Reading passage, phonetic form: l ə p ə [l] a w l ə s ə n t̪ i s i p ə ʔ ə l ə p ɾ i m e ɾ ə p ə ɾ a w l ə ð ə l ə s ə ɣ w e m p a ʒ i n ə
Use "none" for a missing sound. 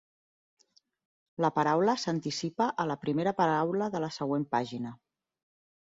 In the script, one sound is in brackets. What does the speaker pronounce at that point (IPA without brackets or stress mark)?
ɾ